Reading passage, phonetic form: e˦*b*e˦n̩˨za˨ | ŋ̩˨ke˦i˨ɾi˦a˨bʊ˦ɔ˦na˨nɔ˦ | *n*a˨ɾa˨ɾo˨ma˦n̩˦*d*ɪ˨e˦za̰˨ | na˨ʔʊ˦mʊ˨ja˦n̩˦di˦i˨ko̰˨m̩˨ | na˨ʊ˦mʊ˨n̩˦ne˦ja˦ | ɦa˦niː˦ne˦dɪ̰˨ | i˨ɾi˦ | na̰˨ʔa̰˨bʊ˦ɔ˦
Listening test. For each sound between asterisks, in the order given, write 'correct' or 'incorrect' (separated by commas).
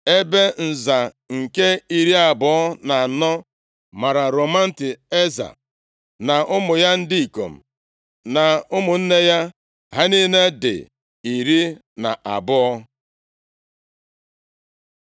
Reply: correct, incorrect, incorrect